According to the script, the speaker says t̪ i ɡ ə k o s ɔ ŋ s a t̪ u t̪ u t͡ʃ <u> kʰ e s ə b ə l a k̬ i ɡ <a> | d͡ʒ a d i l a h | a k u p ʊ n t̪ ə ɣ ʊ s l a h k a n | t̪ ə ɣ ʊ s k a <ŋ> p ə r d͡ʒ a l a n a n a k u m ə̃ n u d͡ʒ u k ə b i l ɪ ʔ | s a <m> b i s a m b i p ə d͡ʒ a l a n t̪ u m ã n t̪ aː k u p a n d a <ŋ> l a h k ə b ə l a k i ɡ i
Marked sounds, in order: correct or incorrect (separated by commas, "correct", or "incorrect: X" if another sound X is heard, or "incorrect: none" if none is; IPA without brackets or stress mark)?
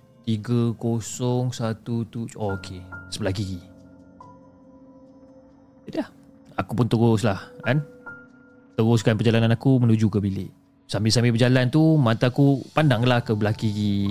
incorrect: o, incorrect: i, incorrect: n, correct, correct